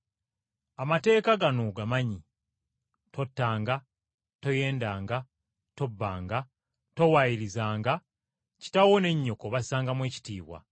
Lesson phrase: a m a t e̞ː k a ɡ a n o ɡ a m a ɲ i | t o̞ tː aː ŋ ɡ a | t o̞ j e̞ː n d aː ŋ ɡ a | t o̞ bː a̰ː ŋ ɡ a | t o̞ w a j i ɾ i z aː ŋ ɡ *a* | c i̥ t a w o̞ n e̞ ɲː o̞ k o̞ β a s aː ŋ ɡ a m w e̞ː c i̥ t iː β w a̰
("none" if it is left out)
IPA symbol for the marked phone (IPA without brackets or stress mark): a